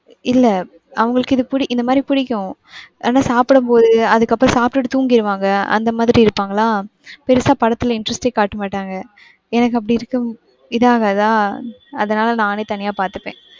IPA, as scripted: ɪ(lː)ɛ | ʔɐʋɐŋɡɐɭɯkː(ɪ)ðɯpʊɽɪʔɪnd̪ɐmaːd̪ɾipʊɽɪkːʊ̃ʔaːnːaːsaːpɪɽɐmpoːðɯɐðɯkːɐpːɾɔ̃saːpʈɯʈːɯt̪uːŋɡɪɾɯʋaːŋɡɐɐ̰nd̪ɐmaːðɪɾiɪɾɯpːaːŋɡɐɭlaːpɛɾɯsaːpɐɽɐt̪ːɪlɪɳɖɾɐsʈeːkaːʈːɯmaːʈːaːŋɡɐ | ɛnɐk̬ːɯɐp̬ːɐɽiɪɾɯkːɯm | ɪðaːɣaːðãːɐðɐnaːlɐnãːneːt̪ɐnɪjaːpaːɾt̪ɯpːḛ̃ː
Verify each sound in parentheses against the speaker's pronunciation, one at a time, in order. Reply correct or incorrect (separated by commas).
correct, correct